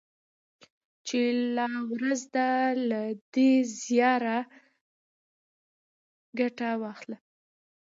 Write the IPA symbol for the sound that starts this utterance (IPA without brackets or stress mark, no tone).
t͡ʃ